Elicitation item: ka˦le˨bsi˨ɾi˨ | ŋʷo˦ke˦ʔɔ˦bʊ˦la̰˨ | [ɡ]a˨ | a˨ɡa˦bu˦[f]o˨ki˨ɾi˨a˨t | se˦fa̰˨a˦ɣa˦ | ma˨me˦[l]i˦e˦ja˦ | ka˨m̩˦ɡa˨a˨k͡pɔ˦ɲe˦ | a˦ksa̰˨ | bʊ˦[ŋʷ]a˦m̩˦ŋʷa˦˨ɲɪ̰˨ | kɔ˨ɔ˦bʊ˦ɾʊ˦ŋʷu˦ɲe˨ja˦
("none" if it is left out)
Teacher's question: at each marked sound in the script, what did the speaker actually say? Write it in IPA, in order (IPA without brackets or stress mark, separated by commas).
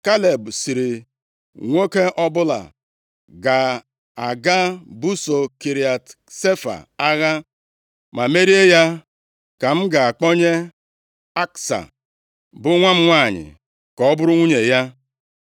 ɡ, s, ɾ, ŋʷ